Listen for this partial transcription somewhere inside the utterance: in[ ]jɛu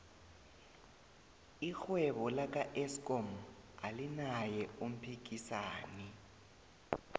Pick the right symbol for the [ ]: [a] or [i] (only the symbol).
a